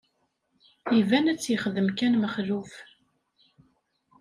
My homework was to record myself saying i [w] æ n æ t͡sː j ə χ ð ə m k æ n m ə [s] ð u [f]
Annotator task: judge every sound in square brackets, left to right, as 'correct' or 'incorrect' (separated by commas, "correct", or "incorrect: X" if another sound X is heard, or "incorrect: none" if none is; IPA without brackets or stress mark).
incorrect: v, incorrect: χ, correct